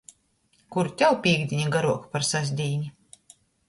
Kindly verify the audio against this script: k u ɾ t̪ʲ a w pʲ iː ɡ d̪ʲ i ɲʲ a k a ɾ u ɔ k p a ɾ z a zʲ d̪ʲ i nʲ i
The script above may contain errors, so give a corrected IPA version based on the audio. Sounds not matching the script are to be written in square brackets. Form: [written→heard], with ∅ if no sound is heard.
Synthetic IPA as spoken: k u ɾ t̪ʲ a w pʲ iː ɡ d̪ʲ i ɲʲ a [k→ɡ] a ɾ u ɔ k p a ɾ [z→s] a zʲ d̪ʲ [i→iː] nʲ i